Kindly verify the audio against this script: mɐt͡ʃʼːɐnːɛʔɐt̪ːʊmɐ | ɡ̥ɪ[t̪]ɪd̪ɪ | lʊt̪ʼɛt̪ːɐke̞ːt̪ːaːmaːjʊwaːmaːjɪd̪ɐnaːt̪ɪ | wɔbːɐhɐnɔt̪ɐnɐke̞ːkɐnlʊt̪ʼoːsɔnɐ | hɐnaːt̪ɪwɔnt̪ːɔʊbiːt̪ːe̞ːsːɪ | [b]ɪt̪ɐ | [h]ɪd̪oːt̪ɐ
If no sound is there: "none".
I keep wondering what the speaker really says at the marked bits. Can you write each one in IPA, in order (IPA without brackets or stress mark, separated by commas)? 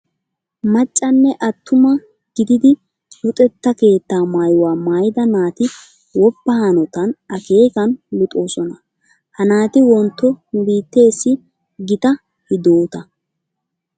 d̪, ɡ, h